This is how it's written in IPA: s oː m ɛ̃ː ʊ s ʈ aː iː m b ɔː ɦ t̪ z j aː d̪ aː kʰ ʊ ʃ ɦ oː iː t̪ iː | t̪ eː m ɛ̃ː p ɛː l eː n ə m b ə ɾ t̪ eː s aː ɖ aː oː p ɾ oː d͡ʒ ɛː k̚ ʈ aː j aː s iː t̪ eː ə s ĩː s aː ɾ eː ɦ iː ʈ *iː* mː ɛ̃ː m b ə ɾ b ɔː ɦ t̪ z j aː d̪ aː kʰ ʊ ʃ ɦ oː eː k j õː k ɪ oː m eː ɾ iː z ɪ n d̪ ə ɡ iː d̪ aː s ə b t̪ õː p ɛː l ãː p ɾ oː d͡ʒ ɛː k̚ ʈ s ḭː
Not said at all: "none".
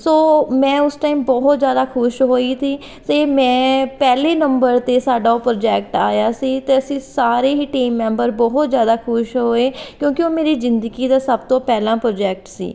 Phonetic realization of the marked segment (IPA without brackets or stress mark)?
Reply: iː